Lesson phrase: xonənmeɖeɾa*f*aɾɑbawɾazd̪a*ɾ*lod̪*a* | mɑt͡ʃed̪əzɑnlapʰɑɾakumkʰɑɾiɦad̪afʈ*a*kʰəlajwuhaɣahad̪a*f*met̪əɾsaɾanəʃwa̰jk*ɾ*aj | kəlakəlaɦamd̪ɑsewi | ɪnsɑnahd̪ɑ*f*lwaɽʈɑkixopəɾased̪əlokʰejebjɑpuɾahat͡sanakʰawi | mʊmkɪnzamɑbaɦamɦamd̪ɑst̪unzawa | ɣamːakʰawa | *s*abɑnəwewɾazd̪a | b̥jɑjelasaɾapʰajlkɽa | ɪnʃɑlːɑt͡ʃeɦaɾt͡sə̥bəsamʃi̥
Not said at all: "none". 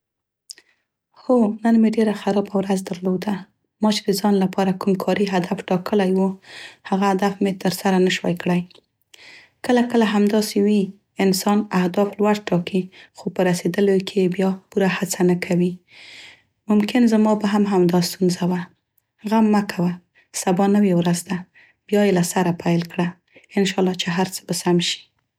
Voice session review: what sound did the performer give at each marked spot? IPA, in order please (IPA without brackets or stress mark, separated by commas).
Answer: x, ɾ, a, ɑ, f, ɽ, f, s